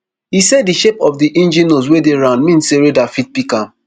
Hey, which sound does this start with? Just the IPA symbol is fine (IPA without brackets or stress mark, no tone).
h